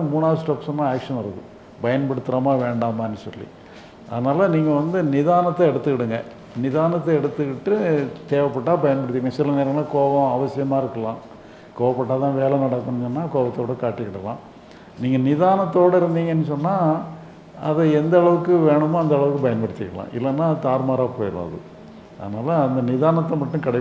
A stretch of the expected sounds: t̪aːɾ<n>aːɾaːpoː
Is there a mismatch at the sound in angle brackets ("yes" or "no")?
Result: yes